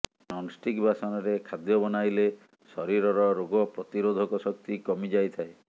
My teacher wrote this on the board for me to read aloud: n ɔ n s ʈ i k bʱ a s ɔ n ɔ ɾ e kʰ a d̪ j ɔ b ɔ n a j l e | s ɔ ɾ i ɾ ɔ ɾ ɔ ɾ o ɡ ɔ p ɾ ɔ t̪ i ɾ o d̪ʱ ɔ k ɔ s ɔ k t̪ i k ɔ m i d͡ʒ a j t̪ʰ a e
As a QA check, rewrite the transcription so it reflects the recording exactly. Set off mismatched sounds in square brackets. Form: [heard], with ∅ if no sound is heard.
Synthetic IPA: n ɔ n s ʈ i k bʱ a s ɔ n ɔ ɾ e kʰ a d̪ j ɔ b ɔ n a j l e | s ɔ ɾ i ɾ ɔ ɾ ɔ ɾ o ɡ ɔ p ɾ ɔ t̪ i ɾ o d̪ʱ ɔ k ɔ s ɔ k t̪ i k ɔ m i d͡ʒ a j t̪ʰ a e

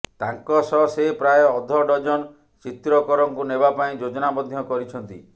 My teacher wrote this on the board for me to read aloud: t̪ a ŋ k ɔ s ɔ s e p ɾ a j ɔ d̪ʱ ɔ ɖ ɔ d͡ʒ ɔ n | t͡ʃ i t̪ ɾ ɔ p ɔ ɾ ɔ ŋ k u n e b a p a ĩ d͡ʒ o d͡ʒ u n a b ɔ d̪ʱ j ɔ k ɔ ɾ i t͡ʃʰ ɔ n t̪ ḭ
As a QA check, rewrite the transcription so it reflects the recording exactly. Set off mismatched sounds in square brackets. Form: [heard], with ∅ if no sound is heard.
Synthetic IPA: t̪ a ŋ k ɔ s ɔ s e p ɾ a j ɔ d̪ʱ ɔ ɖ ɔ d͡ʒ ɔ n | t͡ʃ i t̪ ɾ ɔ [k] ɔ ɾ ɔ ŋ k u n e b a p a ĩ d͡ʒ o d͡ʒ [ɔ] n a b ɔ d̪ʱ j ɔ k ɔ ɾ i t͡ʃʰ ɔ n t̪ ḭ

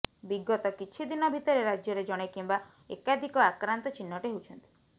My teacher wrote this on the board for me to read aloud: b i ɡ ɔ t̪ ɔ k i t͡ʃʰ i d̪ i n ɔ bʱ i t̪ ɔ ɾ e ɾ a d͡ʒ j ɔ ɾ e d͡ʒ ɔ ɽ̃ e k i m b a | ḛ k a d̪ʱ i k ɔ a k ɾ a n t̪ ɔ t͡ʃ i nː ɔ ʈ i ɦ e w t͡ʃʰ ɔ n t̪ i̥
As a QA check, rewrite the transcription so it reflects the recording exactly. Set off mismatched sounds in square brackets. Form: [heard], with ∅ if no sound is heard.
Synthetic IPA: b i ɡ ɔ t̪ ɔ k i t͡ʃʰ i d̪ i n ɔ bʱ i t̪ ɔ ɾ e ɾ a d͡ʒ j ɔ ɾ e d͡ʒ ɔ ɽ̃ e k i m b a | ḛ k a d̪ʱ i k ɔ a k ɾ a n t̪ ɔ t͡ʃ i nː ɔ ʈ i ɦ e w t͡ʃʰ ɔ n t̪ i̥

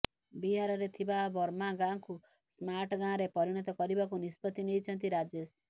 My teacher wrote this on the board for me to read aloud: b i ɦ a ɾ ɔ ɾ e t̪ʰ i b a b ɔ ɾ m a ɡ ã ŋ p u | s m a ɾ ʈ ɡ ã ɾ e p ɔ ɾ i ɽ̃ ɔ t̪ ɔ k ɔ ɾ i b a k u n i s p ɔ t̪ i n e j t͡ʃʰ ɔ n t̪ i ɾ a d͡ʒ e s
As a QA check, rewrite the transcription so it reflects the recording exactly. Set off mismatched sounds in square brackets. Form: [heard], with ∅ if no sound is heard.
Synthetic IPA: b i ɦ a ɾ ɔ ɾ e t̪ʰ i b a b ɔ ɾ m a ɡ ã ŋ [k] u | s m a ɾ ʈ ɡ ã ɾ e p ɔ ɾ i ɽ̃ ɔ t̪ ɔ k ɔ ɾ i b a k u n i s p ɔ t̪ i n e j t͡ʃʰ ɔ n t̪ i ɾ a d͡ʒ e s

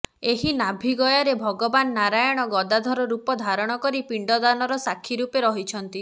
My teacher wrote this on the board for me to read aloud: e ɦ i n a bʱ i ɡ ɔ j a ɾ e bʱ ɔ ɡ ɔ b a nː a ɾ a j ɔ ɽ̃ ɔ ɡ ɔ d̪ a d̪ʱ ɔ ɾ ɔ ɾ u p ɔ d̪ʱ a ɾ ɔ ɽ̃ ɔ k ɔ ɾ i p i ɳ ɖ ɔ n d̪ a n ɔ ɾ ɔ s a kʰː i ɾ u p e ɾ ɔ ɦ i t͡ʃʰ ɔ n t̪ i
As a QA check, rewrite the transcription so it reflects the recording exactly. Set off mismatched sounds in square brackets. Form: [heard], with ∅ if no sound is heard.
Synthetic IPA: e ɦ i n a bʱ i ɡ ɔ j a ɾ e bʱ ɔ ɡ ɔ b a nː a ɾ a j ɔ ɽ̃ ɔ ɡ ɔ d̪ a d̪ʱ ɔ ɾ ɔ ɾ u p ɔ d̪ʱ a ɾ ɔ ɽ̃ ɔ k ɔ ɾ i p i ɳ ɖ ɔ [∅] d̪ a n ɔ ɾ ɔ s a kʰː i ɾ u p e ɾ ɔ ɦ i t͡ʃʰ ɔ n t̪ i

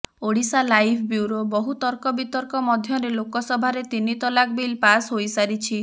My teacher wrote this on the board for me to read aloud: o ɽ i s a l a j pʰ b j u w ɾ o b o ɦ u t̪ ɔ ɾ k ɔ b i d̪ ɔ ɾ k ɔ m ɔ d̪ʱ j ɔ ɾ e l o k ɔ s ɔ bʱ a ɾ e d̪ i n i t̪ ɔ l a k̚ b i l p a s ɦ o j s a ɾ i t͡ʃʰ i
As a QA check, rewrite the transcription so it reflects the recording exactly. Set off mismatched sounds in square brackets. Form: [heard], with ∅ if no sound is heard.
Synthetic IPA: o ɽ i s a l a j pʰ b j u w ɾ o b [ɔ] ɦ u t̪ ɔ ɾ k ɔ b i [t̪] ɔ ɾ k ɔ m ɔ d̪ʱ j ɔ ɾ e l o k ɔ s ɔ bʱ a ɾ e [t̪] i n i t̪ ɔ l a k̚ b i l p a s ɦ o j s a ɾ i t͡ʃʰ i

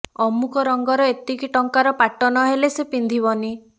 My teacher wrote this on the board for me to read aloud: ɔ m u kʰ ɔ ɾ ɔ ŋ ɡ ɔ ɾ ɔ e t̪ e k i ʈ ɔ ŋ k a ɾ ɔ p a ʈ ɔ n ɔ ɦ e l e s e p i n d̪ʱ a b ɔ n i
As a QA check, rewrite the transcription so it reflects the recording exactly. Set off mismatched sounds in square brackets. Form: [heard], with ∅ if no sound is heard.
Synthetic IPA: ɔ m u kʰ ɔ ɾ ɔ ŋ ɡ ɔ ɾ ɔ e t̪ [i] k i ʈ ɔ ŋ k a ɾ ɔ p a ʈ ɔ n ɔ ɦ e l e s e p i n d̪ʱ [i] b ɔ n i

